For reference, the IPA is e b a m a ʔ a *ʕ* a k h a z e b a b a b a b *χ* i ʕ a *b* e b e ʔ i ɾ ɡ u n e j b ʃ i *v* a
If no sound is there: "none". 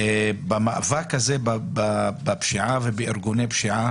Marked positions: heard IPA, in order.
v, ʃ, v, ʕ

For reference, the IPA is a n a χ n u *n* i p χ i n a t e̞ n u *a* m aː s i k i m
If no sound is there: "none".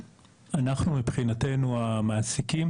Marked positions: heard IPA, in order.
m, a

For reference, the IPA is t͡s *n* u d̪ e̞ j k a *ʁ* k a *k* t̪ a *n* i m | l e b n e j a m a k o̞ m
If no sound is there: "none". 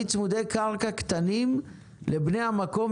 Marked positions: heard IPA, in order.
m, ʁ, k, n

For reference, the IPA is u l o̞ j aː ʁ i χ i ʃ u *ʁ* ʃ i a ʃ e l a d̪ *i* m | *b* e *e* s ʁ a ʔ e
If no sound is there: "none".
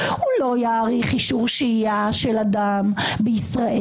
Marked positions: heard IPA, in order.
ʁ, a, b, i

